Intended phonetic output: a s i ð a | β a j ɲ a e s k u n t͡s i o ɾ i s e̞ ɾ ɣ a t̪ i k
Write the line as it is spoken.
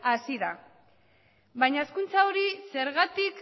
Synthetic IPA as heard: a s i ð a | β a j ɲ a e s k u n t͡s a o ɾ i s e̞ ɾ ɣ a t̪ i k